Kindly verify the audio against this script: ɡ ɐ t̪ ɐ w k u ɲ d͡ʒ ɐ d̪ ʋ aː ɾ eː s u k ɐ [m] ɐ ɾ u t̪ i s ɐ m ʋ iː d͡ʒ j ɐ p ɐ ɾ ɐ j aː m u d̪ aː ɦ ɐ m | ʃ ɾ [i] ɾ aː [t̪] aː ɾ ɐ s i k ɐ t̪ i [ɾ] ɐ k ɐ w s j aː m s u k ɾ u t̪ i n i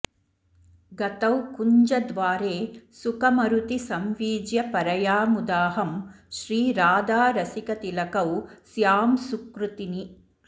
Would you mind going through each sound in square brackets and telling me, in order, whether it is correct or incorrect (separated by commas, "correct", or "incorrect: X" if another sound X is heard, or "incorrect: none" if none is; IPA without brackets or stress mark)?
correct, incorrect: iː, incorrect: d̪, incorrect: l